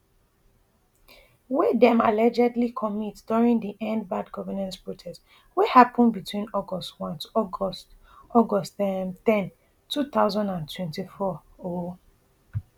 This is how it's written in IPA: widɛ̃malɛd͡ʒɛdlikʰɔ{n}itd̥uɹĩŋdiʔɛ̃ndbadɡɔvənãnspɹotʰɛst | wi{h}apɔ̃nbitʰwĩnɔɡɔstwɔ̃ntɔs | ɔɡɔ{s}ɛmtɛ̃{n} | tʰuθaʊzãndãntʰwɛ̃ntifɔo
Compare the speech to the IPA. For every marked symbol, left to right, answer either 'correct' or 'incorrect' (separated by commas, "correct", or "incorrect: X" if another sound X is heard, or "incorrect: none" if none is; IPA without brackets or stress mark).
incorrect: m, correct, correct, correct